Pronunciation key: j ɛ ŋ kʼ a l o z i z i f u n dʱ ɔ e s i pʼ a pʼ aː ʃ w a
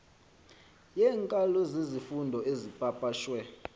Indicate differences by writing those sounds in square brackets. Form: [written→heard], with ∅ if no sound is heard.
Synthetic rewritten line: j ɛ ŋ kʼ a l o z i z i f u n dʱ ɔ e [s→z] i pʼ a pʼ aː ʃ w [a→ɛ]